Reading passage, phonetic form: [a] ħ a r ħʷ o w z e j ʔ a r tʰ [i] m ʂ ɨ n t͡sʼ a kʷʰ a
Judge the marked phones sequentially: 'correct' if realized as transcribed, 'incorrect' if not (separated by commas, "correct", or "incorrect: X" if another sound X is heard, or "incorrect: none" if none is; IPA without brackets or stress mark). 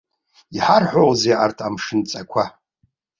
incorrect: i, incorrect: a